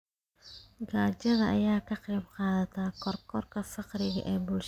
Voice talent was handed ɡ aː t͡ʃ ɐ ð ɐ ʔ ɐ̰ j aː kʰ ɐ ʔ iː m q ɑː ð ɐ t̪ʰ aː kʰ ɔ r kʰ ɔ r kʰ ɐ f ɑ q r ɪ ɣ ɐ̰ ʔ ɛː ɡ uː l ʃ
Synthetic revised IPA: ɡ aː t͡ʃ ɐ ð ɐ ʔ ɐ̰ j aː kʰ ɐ q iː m q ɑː ð ɐ t̪ʰ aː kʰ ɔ r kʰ ɔ r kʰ ɐ f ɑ q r ɪ ɣ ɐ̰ ʔ ɛː b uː l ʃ